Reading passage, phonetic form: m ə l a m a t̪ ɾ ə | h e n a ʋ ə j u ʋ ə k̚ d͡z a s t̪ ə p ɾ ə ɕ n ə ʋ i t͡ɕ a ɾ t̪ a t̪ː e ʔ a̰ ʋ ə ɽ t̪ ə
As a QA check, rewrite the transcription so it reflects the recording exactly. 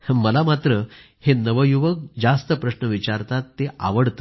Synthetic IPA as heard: m ə l a m a t̪ ɾ ə | h e n ə ʋ ə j u ʋ ə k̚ d͡z a s t̪ ə p ɾ ə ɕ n ə ʋ i t͡ɕ a ɾ t̪ a t̪ː e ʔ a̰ ʋ ə ɽ t̪ ə